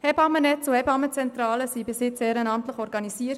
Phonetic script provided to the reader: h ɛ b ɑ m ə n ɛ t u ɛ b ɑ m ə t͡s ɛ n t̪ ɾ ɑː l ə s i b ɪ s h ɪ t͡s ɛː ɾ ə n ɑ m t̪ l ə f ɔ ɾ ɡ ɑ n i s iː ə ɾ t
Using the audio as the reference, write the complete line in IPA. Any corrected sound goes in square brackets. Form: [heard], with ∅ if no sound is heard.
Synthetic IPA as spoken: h ɛ b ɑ m ə n ɛ [t͡s] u ɛ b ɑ m ə t͡s ɛ n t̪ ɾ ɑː l ə s i b ɪ s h ɪ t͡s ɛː ɾ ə n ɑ m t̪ l ə [χ] ɔ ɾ ɡ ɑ n i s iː ə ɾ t